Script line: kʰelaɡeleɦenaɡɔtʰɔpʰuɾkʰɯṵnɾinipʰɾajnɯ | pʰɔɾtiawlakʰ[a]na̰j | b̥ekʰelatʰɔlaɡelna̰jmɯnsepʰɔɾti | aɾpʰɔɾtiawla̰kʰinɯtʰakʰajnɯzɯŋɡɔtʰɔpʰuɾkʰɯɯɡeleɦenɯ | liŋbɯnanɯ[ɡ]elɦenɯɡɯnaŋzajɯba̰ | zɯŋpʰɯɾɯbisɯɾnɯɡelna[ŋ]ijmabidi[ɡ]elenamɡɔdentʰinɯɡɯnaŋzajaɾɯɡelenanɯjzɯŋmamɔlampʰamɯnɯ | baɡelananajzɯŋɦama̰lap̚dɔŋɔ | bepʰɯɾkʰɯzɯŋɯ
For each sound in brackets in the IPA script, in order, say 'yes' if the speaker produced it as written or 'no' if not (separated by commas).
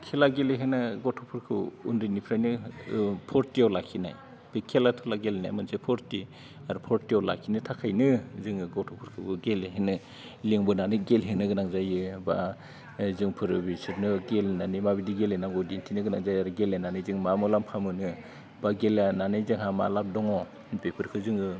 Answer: no, yes, no, yes